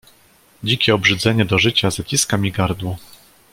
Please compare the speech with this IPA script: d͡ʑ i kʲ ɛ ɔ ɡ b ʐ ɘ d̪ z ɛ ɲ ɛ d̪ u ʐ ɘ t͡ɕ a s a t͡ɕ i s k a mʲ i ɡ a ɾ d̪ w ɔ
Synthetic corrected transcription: d͡ʑ i kʲ ɛ ɔ b ʐ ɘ d̪ z ɛ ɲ ɛ d̪ ɔ ʐ ɘ t͡ɕ a z a t͡ɕ i s k a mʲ i ɡ a ɾ d̪ w ɔ